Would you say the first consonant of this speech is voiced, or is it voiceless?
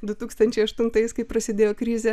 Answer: voiced